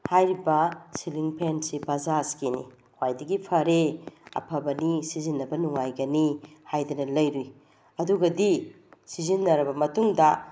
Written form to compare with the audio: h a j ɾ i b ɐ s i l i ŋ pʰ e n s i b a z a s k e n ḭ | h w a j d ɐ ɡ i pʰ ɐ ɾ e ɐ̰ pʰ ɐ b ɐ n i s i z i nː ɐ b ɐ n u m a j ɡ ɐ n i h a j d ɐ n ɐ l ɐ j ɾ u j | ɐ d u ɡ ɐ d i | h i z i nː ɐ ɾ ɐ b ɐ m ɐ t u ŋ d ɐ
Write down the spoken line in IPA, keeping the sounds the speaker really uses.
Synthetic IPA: h a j ɾ i b ɐ s i l i ŋ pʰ e n s i b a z a s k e n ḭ | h w a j d ɐ ɡ i pʰ ɐ ɾ e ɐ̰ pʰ ɐ b ɐ n i s i z i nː ɐ b ɐ n u ŋ a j ɡ ɐ n i h a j d ɐ n ɐ l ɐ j ɾ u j | ɐ d u ɡ ɐ d i | s i z i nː ɐ ɾ ɐ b ɐ m ɐ t u ŋ d ɐ